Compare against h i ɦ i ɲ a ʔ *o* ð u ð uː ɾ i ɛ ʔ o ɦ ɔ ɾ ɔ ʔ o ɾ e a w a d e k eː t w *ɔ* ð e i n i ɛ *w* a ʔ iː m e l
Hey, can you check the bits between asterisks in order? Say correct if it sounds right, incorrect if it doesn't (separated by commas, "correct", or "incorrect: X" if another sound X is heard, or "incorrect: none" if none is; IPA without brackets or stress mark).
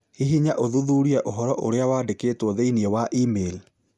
correct, correct, correct